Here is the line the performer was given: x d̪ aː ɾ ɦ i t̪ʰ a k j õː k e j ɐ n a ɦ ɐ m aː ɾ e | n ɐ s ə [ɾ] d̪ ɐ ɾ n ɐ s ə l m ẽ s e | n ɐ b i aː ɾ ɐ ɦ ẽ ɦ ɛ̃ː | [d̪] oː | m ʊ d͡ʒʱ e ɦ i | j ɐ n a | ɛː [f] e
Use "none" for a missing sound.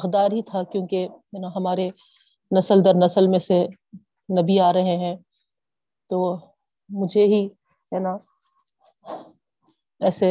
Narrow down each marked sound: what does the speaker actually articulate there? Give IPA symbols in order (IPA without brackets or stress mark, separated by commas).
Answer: l, t̪, s